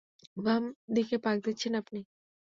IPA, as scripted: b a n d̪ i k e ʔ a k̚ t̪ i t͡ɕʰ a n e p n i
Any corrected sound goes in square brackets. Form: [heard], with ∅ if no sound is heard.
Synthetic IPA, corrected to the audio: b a [m] d̪ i k e [p] a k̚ [d̪] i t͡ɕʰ [e] n [a] p n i

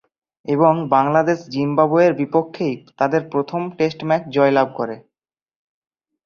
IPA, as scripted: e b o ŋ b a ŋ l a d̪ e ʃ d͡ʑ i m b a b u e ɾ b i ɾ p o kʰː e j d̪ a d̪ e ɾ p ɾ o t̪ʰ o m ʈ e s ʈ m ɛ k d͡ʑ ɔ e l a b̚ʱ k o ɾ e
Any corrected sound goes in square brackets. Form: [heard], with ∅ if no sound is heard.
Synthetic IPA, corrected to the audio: e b o ŋ b a ŋ l a d̪ e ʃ d͡ʑ i m b a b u e ɾ b i [∅] p o kʰː e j [t̪] a d̪ e ɾ p ɾ o t̪ʰ o m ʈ e s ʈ m ɛ k d͡ʑ ɔ e l a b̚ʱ k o ɾ e

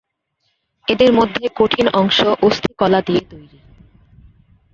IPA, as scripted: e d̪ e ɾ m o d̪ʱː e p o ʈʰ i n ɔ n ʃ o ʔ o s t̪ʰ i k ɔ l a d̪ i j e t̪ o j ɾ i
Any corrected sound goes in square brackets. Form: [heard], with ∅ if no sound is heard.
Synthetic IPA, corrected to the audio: e d̪ e ɾ m o d̪ʱː e [k] o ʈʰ i n ɔ [ŋ] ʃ o ʔ o s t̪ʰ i k ɔ l a d̪ i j e t̪ o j ɾ i

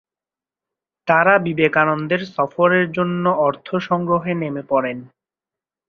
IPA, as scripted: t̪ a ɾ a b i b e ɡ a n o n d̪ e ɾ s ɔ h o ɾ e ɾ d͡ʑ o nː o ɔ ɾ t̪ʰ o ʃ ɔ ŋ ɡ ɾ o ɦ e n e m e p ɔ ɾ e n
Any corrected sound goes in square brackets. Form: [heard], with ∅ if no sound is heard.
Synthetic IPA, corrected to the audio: t̪ a ɾ a b i b e [k] a n o n d̪ e ɾ s ɔ [f] o ɾ e ɾ d͡ʑ o nː o ɔ ɾ t̪ʰ o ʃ ɔ ŋ ɡ ɾ o ɦ e n e m e p ɔ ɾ e n

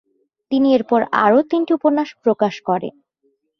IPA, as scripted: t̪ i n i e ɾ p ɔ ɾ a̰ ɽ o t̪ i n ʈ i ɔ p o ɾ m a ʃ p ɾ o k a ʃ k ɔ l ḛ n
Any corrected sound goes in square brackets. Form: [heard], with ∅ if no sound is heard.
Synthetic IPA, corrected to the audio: t̪ i n i e ɾ p ɔ ɾ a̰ [ɾ] o t̪ i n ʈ i [u] p o ɾ [n] a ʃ p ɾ o k a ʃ k ɔ [ɾ] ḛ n

